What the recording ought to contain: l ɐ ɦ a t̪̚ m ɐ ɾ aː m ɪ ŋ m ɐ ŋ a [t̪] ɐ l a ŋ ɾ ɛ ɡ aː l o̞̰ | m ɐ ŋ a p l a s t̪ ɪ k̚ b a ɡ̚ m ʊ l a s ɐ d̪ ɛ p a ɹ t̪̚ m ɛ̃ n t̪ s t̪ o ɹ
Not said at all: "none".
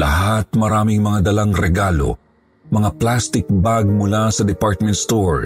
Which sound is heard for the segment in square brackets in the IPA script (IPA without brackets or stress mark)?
d̪